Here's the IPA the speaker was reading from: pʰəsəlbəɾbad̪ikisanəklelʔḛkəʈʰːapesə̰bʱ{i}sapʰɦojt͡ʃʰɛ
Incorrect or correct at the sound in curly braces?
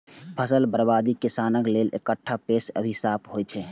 correct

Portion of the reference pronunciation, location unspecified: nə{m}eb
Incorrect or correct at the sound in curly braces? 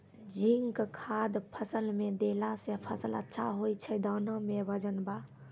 correct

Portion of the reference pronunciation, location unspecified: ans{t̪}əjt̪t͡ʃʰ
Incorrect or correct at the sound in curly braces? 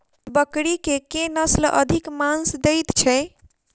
incorrect: d̪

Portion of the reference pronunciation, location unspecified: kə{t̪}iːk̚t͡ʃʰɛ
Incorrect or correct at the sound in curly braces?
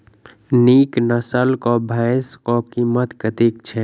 correct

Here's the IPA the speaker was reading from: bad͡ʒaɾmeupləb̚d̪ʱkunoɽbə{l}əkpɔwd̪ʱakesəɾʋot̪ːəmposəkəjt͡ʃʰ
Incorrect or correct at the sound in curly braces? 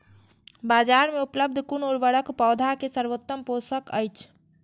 incorrect: ɽ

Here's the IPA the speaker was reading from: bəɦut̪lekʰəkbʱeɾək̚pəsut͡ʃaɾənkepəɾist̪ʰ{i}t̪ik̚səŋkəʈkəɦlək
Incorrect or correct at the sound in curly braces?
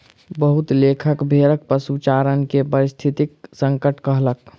correct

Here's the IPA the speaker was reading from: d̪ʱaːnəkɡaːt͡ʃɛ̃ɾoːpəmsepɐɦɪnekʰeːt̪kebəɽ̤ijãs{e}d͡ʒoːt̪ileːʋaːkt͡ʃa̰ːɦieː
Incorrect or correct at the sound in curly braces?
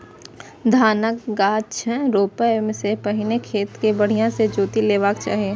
correct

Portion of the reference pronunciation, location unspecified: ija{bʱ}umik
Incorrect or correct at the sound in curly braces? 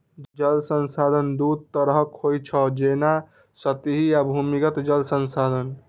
correct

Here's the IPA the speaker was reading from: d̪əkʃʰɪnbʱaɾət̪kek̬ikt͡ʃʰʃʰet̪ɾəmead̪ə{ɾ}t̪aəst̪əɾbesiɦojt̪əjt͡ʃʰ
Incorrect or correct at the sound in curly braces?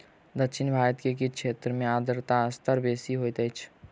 correct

